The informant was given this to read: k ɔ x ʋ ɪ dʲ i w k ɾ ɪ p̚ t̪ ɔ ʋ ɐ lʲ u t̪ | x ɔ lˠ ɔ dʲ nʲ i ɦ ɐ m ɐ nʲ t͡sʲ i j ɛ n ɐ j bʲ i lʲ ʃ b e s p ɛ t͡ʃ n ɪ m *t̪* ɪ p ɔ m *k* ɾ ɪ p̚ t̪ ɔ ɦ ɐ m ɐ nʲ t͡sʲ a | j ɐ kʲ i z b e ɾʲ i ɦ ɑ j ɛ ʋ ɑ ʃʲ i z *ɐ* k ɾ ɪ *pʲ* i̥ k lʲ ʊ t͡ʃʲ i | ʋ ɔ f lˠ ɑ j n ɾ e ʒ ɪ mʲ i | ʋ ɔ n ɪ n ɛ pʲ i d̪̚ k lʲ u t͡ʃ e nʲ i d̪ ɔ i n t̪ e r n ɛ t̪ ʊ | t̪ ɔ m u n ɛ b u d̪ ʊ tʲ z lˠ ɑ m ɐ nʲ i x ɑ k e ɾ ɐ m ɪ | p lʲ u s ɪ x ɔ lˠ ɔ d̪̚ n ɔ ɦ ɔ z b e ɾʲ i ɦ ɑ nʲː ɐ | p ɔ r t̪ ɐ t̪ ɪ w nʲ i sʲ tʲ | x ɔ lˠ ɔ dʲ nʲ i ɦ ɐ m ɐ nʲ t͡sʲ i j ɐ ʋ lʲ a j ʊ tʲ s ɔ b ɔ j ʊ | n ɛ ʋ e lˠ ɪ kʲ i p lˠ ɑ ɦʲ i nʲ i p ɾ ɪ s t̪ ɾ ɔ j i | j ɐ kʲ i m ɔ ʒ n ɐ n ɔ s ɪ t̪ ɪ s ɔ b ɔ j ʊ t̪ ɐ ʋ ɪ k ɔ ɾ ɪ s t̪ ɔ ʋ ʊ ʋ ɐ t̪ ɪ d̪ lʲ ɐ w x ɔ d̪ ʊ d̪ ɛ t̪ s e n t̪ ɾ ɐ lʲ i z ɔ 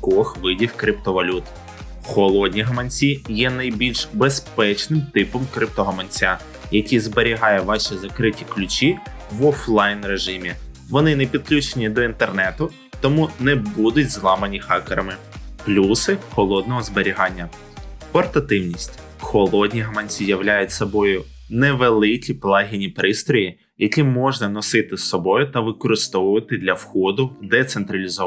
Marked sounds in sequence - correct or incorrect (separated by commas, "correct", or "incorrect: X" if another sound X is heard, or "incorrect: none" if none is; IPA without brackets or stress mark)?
correct, correct, correct, incorrect: tʲ